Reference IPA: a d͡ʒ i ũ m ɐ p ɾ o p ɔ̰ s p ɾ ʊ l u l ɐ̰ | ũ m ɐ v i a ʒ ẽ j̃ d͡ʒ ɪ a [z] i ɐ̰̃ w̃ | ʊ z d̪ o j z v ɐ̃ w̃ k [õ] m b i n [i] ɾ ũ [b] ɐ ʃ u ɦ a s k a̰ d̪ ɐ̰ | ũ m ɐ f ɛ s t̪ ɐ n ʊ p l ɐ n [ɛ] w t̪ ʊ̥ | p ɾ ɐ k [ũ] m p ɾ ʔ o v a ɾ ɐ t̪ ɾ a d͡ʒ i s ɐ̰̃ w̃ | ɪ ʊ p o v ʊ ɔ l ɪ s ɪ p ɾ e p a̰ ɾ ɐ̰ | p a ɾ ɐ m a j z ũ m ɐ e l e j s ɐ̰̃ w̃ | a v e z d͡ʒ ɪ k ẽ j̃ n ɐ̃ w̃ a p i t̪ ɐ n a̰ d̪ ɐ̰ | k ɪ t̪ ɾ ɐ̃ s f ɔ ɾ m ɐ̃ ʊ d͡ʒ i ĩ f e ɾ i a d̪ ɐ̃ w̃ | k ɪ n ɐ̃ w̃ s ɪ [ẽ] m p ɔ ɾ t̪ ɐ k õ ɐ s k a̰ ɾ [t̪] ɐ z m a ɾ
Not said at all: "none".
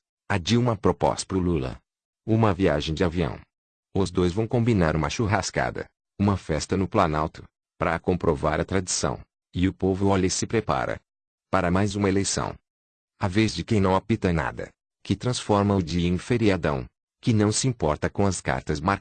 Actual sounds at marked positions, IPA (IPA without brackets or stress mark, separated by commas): v, õ, a, m, a, õ, ĩ, t̪